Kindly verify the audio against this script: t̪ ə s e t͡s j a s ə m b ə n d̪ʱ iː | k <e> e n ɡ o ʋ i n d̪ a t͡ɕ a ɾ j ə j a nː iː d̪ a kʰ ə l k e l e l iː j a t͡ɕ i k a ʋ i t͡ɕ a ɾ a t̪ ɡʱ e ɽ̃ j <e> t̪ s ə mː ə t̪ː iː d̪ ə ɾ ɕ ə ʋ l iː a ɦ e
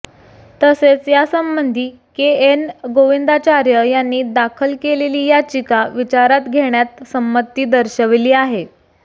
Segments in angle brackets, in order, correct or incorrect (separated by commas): correct, incorrect